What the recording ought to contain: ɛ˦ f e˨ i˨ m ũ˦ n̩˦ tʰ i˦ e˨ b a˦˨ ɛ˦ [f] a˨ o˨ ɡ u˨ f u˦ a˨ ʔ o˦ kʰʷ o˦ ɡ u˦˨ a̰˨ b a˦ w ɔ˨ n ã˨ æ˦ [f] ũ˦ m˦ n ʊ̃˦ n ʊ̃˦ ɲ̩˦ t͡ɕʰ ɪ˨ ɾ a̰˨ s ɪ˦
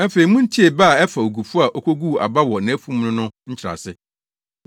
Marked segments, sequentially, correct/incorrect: correct, correct

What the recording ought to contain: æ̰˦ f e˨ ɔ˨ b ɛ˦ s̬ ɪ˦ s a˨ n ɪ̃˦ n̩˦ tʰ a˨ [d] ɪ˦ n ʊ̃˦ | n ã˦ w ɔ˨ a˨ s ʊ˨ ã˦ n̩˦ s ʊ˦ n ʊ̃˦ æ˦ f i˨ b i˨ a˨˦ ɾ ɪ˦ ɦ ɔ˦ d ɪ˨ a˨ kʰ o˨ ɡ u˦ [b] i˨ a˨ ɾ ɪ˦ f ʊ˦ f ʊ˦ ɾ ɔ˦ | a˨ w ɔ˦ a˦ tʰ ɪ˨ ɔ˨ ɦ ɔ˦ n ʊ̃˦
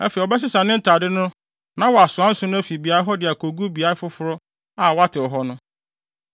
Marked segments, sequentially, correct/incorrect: correct, correct

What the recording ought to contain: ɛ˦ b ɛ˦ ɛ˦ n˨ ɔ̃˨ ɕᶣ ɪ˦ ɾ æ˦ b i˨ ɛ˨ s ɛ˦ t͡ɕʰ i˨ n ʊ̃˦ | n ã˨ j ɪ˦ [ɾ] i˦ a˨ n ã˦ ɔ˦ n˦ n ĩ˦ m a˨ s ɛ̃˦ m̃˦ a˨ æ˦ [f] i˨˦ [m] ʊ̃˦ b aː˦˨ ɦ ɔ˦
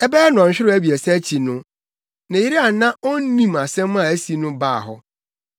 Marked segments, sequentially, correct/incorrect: correct, incorrect: s, incorrect: n

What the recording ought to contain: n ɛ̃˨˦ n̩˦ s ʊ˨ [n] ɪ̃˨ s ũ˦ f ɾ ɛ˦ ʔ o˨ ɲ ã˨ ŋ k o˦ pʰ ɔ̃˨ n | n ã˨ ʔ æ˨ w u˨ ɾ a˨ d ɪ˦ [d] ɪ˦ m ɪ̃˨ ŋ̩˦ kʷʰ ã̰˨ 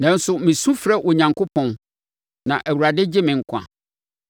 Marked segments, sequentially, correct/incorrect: incorrect: m, incorrect: d͡ʑ

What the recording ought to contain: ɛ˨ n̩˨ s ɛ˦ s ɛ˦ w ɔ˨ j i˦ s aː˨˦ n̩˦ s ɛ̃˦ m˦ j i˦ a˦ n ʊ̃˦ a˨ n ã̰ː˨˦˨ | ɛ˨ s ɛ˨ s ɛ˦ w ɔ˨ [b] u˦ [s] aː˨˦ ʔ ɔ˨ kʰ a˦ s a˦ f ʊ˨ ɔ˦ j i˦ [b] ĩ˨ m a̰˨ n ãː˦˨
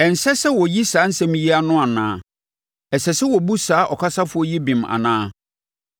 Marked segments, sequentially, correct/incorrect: correct, correct, correct

